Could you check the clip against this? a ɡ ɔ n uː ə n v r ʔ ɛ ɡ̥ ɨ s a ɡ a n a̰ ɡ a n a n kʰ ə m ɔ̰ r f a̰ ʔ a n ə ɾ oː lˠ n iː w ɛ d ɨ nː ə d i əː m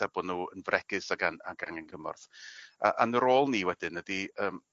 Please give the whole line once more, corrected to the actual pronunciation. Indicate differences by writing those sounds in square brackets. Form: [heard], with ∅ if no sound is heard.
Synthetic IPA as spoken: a [b] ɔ n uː ə n v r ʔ ɛ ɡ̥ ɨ s a ɡ a n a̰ ɡ a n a n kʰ ə m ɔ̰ r [θ] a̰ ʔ a n ə ɾ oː lˠ n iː w ɛ d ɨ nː ə d i əː m